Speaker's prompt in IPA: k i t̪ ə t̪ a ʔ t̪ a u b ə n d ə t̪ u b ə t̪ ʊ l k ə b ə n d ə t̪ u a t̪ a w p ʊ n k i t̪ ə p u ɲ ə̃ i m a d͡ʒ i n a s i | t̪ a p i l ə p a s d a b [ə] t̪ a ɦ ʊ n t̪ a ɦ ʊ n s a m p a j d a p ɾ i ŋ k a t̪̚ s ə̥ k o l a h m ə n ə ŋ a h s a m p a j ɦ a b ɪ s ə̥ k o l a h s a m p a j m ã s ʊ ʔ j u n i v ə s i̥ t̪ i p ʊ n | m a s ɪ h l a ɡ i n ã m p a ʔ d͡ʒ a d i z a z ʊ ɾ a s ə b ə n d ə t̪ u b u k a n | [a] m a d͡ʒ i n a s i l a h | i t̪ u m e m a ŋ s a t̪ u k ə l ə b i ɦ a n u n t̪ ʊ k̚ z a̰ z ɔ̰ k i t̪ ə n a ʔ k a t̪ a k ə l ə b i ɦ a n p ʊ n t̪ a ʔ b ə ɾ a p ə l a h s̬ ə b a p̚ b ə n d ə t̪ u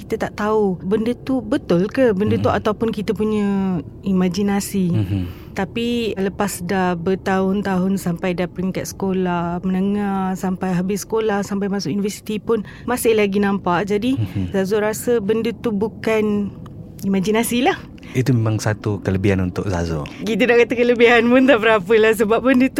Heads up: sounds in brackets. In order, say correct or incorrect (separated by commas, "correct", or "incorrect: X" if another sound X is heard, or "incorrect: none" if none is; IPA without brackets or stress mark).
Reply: correct, incorrect: i